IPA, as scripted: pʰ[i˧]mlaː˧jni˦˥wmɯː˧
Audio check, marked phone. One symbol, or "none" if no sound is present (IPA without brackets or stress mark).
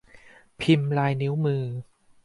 i˧